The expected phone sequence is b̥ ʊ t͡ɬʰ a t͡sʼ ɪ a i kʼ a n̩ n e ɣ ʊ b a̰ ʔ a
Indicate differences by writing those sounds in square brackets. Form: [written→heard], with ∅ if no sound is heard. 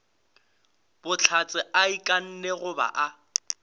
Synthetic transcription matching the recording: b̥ ʊ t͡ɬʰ a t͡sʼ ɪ a i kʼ a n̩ n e ɣ ʊ b a̰ ʔ a